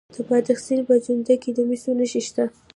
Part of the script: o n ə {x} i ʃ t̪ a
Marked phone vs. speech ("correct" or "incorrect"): incorrect